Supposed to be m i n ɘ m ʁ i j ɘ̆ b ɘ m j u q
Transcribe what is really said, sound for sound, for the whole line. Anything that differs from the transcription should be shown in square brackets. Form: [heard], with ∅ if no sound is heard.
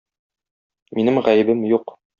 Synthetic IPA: m i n ɘ m ʁ [æ] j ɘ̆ b ɘ m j u q